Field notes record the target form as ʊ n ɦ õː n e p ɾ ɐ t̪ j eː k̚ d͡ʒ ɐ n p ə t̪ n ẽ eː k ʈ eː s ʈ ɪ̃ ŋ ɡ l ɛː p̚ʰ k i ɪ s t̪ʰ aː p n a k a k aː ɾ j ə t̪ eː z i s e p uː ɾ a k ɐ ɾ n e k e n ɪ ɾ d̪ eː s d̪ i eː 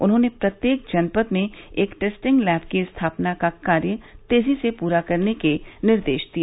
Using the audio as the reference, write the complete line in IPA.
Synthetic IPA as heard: ʊ n ɦ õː n e p ɾ ɐ t̪ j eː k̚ d͡ʒ ɐ n p ə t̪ m ẽ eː k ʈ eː s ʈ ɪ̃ ŋ ɡ l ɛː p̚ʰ k i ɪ s t̪ʰ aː p n a k a k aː ɾ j ə t̪ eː z i s e p uː ɾ a k ɐ ɾ n e k e n ɪ ɾ d̪ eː ʃ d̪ i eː